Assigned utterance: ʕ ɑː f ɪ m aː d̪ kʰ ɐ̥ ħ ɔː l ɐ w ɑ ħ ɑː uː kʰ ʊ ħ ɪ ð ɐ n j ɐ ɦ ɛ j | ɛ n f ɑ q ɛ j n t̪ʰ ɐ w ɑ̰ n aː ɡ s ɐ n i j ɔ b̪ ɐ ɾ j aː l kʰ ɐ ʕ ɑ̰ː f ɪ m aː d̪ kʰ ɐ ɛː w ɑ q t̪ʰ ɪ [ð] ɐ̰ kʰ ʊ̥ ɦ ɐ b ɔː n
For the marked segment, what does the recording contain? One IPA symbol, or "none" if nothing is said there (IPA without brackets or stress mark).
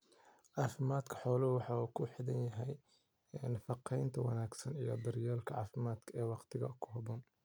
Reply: ɣ